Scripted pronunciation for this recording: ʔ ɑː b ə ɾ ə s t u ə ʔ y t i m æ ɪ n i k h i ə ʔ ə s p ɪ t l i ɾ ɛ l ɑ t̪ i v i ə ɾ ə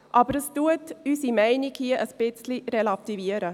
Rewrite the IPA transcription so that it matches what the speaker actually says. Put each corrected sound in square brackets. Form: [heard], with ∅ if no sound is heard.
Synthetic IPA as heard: ʔ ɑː b ə ɾ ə s t u ə [t] y [s] i m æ ɪ n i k h i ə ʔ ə s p ɪ [t͡s] l i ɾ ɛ l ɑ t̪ i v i ə ɾ ə